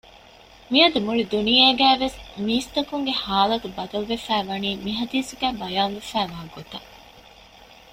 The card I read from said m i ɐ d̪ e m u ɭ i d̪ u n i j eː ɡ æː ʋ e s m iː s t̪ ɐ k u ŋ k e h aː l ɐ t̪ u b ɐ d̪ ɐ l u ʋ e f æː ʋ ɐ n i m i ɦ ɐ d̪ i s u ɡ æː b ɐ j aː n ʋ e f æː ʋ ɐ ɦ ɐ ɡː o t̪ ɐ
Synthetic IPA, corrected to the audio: m i ɐ d̪ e m u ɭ i d̪ u n i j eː ɡ æː ʋ e s m iː s t̪ ɐ k u ŋ ɡ e h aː l ɐ t̪ u b ɐ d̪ ɐ l u ʋ e f æː ʋ ɐ n iː m i ɦ ɐ d̪ iː s u ɡ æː b ɐ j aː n ʋ e f æː ʋ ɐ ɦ ɐ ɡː o t̪ ɐ